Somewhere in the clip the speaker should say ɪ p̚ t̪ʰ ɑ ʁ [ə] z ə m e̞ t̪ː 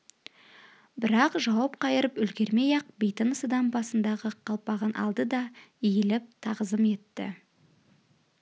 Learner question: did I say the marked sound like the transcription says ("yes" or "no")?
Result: yes